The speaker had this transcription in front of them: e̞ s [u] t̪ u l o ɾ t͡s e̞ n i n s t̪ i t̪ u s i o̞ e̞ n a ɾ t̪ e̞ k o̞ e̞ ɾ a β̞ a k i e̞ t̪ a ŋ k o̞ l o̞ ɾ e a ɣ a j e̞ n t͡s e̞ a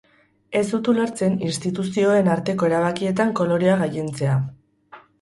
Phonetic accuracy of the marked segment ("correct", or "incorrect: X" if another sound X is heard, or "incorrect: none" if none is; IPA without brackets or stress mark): correct